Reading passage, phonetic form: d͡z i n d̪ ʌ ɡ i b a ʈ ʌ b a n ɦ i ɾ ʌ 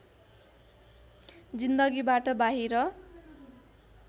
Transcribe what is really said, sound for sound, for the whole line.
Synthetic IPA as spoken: d͡z i n d̪ ʌ ɡ i b a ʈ ʌ b a ɦ i ɾ ʌ